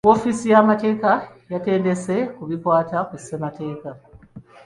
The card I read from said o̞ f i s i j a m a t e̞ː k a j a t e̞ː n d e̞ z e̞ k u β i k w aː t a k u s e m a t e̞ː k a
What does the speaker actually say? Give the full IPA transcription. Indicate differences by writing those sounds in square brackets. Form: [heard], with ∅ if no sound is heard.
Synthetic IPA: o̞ f i s i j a m a t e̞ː k a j a t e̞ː n d e̞ [s] e̞ k u β i k w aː t a k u s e m a t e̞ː k a